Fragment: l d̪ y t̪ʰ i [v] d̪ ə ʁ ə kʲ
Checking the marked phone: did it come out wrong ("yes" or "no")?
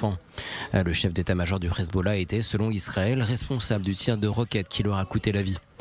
yes